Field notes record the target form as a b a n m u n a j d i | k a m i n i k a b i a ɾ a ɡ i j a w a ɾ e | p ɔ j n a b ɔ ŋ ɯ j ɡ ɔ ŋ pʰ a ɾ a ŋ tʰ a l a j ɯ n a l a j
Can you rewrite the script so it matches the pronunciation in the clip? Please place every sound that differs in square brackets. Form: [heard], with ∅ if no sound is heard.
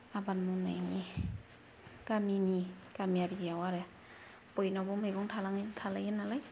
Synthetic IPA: a b a n m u n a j [n] i | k a m i n i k a [m] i a ɾ [i] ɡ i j a w a ɾ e | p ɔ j n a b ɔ [m] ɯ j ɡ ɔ ŋ [tʰ] a [l] a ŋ tʰ a l a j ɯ n a l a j